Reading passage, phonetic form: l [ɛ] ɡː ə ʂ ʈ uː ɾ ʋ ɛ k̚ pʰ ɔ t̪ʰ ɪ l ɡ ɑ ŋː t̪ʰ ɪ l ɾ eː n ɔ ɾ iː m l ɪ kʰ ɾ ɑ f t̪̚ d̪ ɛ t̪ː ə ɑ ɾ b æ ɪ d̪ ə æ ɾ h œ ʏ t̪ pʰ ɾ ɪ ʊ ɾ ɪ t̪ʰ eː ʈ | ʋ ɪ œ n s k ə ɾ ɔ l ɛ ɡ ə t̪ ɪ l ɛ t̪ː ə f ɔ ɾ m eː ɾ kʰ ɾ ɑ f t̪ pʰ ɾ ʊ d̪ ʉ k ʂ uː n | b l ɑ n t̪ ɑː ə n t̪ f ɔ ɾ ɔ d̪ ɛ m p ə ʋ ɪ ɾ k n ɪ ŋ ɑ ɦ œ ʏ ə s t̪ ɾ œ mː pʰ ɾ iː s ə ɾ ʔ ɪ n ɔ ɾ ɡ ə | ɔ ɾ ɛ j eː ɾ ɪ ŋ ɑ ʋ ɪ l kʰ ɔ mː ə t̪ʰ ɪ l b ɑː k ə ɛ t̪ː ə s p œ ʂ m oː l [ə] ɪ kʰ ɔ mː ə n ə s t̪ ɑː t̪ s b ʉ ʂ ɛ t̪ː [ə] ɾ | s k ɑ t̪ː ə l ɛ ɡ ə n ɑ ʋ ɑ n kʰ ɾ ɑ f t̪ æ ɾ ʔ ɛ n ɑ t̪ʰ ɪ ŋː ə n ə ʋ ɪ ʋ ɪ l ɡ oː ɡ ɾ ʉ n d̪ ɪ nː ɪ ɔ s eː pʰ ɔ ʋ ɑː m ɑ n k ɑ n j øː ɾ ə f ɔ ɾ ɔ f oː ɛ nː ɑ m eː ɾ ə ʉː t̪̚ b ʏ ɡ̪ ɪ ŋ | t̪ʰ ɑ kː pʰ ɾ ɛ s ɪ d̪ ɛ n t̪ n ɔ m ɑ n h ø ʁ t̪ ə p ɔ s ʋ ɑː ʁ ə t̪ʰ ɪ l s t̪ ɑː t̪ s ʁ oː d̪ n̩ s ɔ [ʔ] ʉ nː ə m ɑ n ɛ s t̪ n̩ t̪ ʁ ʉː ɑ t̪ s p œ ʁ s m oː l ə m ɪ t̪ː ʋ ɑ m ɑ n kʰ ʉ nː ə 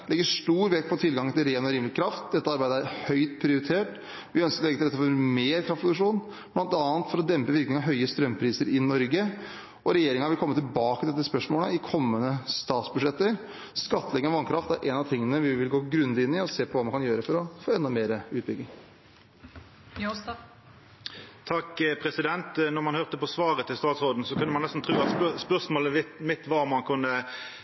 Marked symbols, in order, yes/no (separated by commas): yes, yes, yes, no